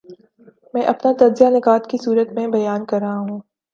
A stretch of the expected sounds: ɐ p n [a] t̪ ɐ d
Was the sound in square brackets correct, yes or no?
yes